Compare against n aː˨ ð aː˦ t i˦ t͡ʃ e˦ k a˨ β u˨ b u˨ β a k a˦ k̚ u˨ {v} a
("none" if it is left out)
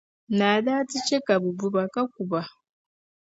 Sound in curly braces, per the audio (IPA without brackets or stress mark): β